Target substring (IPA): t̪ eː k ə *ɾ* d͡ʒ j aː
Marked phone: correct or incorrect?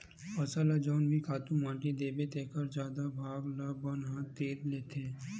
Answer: correct